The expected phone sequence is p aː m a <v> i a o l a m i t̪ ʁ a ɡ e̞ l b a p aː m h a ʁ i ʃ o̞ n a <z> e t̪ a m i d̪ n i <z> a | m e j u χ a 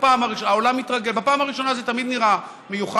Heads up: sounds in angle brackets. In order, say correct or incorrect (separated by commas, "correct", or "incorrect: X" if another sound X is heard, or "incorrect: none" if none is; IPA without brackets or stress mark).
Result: incorrect: ʁ, correct, incorrect: ʁ